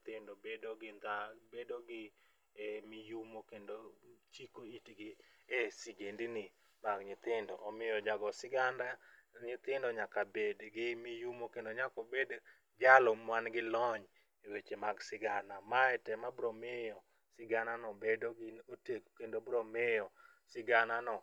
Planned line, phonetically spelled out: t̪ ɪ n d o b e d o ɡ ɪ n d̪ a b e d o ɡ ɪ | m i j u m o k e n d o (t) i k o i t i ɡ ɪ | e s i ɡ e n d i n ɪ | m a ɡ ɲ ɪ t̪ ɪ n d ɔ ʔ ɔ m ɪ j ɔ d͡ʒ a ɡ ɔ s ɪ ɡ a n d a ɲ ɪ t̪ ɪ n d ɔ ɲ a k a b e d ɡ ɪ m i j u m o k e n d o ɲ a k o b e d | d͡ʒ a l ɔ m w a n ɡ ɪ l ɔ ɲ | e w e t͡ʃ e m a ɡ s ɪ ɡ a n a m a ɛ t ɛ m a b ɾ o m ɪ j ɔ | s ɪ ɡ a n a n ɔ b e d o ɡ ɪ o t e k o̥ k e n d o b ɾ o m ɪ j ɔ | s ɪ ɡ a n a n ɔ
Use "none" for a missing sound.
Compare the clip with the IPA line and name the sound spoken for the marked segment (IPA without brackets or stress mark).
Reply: t͡ʃ